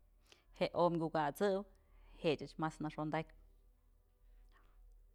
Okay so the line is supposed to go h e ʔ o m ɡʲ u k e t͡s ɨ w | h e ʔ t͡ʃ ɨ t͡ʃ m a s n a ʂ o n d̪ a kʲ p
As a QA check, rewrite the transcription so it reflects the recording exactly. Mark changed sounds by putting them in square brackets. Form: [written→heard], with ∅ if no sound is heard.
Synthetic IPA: h e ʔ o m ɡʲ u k [e→a] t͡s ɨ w | h e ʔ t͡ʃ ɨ t͡ʃ m a s n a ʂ o n d̪ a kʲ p